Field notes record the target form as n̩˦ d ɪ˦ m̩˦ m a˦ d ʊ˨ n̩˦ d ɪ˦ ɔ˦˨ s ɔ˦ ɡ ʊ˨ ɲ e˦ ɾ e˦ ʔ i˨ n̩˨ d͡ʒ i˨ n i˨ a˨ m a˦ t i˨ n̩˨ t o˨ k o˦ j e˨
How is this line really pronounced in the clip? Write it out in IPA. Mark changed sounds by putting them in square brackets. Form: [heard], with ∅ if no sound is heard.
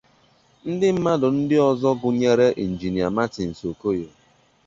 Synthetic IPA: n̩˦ d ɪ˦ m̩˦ m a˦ d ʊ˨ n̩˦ d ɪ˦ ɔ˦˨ [z] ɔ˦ ɡ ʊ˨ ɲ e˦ ɾ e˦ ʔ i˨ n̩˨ d͡ʒ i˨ n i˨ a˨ m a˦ t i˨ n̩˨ [s] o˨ k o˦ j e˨